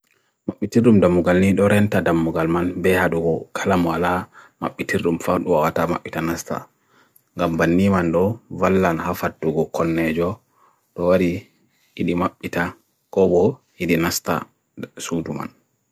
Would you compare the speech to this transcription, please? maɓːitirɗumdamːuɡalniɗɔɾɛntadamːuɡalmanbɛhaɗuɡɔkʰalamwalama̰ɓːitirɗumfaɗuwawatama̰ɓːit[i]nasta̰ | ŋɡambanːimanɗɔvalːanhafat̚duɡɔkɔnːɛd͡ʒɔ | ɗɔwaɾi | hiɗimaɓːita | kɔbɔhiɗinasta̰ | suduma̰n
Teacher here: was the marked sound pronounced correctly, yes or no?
no